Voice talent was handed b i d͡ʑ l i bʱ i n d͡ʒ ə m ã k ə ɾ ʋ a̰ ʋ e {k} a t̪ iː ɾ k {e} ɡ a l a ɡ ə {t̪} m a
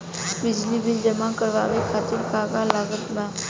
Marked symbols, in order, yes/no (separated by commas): no, no, yes